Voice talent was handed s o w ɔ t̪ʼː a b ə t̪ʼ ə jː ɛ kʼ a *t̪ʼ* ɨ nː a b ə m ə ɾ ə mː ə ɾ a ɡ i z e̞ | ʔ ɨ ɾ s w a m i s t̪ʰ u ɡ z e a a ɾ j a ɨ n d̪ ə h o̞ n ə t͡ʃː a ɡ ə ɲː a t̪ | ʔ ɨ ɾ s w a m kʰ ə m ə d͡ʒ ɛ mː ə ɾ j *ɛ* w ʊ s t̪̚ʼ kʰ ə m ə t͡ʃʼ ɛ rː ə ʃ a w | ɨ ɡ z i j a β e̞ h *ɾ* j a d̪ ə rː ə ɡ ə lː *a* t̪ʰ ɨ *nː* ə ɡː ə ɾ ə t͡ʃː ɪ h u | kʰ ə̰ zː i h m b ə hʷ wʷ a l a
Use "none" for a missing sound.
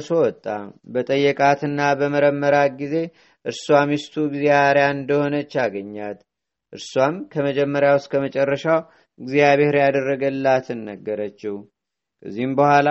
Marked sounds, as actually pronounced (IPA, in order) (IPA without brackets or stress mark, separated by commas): t̪, a, ɾ, a, nː